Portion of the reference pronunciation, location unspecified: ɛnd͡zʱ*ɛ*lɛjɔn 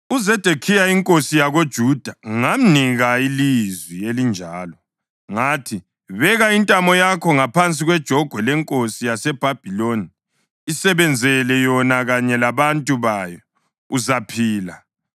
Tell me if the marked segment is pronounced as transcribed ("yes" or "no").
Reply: yes